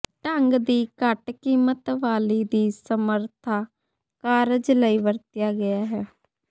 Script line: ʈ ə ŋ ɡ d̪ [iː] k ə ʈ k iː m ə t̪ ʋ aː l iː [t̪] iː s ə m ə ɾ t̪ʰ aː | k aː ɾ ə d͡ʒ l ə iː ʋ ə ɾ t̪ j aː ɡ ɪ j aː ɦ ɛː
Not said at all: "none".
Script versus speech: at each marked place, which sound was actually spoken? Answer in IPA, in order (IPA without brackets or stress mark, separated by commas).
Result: iː, d̪